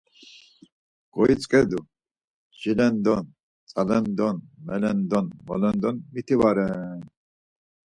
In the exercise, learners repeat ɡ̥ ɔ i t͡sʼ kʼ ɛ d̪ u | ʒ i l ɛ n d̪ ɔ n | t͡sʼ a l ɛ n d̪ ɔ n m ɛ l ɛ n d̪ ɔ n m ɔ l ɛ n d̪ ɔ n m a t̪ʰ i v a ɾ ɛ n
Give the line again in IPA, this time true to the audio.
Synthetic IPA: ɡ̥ ɔ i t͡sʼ kʼ ɛ d̪ u | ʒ i l ɛ n d̪ ɔ n | t͡sʼ a l ɛ n d̪ ɔ n m ɛ l ɛ n d̪ ɔ n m ɔ l ɛ n d̪ ɔ n m i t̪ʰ i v a ɾ ɛ n